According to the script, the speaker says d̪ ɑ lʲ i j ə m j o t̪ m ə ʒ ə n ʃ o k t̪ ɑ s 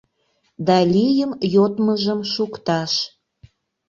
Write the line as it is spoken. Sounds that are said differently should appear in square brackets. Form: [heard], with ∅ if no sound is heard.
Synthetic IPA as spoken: d̪ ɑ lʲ i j ə m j o t̪ m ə ʒ ə [m] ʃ [u] k t̪ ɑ [ʃ]